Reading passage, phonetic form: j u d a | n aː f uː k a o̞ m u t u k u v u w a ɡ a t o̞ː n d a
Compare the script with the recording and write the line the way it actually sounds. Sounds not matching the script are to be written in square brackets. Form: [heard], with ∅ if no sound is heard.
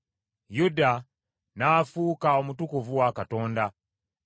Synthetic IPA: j u d a | n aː f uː k a o̞ m u t u k u v u w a [k] a t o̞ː n d a